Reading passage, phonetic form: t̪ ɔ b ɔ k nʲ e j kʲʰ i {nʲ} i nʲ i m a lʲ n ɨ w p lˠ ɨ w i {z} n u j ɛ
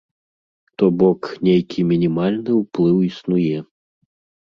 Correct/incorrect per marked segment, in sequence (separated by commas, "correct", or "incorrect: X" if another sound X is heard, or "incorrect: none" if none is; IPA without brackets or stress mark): incorrect: mʲ, incorrect: s